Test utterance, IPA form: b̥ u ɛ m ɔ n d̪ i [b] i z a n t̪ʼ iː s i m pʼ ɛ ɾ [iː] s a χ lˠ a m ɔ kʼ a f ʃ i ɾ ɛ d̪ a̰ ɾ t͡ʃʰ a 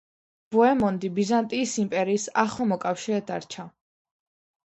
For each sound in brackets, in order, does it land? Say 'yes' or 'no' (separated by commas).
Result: yes, yes